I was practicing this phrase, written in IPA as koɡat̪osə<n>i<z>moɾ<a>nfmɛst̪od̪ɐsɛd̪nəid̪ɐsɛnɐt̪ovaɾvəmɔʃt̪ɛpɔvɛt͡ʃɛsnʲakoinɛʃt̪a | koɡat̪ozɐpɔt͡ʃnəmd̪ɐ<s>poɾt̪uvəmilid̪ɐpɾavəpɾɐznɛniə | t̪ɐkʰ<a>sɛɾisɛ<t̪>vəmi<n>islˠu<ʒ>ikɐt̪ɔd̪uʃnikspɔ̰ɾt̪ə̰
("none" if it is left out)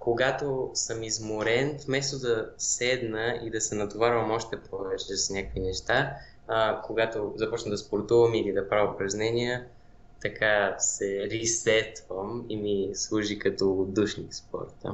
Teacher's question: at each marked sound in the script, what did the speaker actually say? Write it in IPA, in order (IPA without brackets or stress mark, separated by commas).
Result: m, z, ɛ, s, a, t̪, m, ʒ